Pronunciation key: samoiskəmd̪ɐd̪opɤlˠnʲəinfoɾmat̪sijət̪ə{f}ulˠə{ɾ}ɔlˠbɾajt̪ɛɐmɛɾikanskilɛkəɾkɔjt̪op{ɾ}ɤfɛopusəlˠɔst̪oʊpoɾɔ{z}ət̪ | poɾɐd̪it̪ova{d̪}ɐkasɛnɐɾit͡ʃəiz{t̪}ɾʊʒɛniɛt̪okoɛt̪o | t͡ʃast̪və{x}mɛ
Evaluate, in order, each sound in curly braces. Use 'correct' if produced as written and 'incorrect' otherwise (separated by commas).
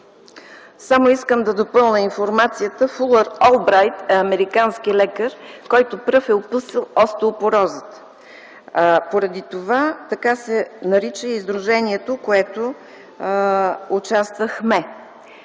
correct, correct, correct, correct, incorrect, incorrect, correct